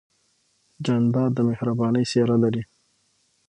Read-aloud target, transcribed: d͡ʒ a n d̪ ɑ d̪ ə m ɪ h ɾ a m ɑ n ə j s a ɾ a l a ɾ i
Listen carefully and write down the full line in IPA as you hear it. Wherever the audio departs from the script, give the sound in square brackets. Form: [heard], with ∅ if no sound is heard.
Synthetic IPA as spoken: d͡ʒ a n d̪ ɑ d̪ ə m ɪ h ɾ a [b] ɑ n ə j s [e] ɾ a l a ɾ i